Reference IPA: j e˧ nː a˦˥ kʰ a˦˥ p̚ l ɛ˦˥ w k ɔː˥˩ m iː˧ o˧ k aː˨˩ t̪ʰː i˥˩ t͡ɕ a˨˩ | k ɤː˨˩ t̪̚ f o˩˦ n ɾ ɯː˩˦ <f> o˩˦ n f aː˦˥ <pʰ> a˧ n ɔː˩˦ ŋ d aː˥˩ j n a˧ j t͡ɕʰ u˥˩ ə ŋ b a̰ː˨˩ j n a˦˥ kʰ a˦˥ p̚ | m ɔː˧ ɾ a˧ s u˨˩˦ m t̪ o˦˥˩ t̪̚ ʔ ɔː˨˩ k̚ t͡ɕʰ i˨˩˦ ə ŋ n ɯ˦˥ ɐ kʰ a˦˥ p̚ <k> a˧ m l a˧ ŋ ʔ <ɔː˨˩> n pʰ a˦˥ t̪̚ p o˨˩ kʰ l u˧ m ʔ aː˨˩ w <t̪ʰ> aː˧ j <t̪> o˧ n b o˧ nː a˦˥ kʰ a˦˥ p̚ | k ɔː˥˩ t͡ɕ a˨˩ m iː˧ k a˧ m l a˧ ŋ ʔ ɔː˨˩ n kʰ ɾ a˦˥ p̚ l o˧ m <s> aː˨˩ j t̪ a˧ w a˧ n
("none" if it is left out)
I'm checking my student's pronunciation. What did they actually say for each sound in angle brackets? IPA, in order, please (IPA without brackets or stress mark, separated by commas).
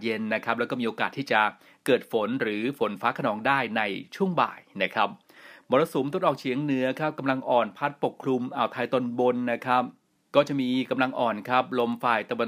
f, kʰ, k, ɔː˨˩, t̪ʰ, t̪, f